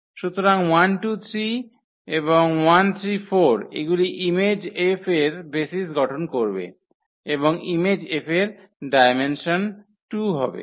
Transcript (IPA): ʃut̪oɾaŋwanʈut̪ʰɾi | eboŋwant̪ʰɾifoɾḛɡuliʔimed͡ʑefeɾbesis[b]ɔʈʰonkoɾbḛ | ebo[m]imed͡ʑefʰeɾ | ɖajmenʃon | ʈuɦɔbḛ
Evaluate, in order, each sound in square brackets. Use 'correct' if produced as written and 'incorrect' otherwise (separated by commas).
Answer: incorrect, incorrect